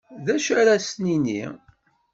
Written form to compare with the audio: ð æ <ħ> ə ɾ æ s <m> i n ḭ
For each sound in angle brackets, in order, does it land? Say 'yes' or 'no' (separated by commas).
no, no